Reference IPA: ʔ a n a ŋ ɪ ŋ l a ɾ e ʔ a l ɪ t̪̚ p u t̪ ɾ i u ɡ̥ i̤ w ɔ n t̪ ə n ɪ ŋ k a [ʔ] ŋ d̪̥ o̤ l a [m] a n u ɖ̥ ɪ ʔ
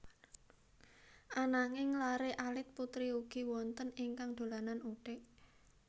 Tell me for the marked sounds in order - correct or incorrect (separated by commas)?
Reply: incorrect, incorrect